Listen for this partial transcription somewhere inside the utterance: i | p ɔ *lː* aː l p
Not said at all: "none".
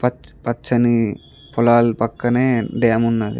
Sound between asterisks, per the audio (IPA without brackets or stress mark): l